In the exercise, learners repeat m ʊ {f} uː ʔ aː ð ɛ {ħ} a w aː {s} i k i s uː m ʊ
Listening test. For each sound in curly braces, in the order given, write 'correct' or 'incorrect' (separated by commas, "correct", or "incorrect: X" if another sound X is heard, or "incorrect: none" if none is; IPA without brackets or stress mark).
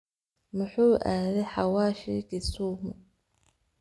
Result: incorrect: ħ, correct, incorrect: ʃ